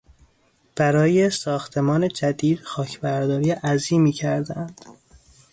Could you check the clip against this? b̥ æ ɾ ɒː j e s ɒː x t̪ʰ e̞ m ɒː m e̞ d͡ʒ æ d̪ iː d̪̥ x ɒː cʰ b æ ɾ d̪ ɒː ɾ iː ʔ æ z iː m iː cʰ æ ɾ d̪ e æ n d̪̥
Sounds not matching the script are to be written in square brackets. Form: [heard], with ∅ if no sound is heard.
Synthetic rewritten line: b̥ æ ɾ ɒː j e s ɒː x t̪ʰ e̞ m ɒː [n] e̞ d͡ʒ æ d̪ iː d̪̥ x ɒː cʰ b æ ɾ d̪ ɒː ɾ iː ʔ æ z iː m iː cʰ æ ɾ d̪ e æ n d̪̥

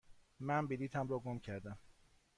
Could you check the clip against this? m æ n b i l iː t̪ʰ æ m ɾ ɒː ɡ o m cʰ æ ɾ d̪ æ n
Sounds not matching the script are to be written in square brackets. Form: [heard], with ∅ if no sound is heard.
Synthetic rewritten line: m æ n b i l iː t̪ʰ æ m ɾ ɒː ɡ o m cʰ æ ɾ d̪ æ [m]

